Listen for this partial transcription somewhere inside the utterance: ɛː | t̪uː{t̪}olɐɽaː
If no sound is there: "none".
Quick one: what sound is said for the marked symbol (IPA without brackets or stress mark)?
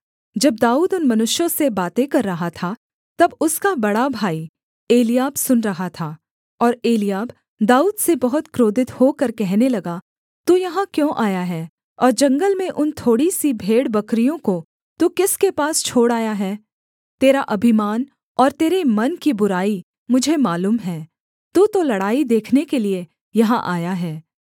t̪